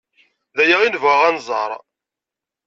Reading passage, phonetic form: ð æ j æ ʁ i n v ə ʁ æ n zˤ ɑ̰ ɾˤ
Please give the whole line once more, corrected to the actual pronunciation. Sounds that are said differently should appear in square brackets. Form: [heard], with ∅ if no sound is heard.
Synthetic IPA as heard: ð æ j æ ʁ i n v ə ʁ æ n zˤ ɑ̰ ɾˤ